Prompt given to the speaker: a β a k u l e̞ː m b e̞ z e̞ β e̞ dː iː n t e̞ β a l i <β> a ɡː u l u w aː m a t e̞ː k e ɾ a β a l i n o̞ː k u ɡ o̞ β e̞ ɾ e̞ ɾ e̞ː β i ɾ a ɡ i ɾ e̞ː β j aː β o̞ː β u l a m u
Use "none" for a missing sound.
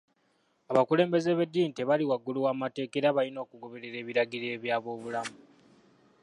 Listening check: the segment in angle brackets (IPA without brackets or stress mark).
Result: w